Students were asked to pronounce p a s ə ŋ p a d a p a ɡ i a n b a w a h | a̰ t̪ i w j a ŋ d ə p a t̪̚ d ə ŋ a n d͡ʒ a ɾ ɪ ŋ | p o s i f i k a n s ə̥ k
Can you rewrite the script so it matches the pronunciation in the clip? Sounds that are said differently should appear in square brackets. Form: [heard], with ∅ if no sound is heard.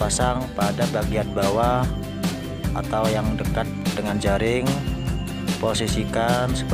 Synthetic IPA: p a s [a] ŋ p a d a [b] a ɡ i a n b a w a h | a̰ t̪ [a] w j a ŋ d ə [k] a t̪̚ d ə ŋ a n d͡ʒ a ɾ ɪ ŋ | p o s i [s] i k a n s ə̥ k